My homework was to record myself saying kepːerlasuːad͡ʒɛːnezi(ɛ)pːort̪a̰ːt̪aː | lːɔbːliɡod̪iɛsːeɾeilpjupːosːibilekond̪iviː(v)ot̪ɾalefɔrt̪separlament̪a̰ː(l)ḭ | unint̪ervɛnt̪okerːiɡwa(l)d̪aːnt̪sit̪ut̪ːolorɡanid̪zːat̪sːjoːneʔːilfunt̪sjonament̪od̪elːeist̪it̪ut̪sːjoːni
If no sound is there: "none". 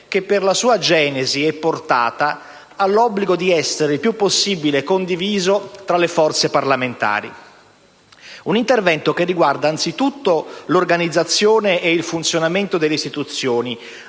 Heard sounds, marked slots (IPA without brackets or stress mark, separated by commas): ɛ, z, ɾ, r